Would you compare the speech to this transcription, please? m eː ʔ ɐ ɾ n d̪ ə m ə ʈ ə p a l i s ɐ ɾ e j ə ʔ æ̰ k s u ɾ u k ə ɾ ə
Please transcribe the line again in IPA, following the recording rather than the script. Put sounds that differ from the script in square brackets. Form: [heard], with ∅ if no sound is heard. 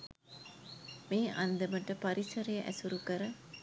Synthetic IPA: m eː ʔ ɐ [∅] n d̪ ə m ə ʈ ə p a [ɾ] i s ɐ ɾ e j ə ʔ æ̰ [∅] s u ɾ u k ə ɾ ə